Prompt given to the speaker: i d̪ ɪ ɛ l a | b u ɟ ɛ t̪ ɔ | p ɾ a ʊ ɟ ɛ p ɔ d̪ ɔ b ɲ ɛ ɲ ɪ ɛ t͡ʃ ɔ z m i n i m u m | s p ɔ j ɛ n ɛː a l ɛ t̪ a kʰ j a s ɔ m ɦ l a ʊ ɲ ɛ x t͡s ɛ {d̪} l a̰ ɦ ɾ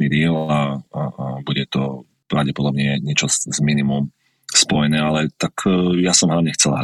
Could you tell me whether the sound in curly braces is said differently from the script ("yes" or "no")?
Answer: yes